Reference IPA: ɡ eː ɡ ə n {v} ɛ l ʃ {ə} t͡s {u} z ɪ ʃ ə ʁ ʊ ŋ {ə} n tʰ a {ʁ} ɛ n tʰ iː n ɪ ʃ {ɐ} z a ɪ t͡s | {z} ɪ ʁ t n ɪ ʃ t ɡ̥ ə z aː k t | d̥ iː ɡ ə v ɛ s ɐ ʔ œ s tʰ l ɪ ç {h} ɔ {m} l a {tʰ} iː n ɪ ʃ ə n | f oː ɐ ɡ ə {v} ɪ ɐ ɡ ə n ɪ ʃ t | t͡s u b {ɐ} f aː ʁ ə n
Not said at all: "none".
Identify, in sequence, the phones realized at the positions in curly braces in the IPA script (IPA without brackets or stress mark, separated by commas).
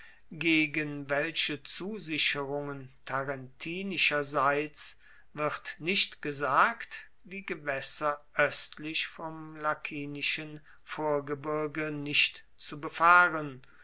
v, ə, uː, ə, ʁ, ɐ, v, f, m, kʰ, b, ə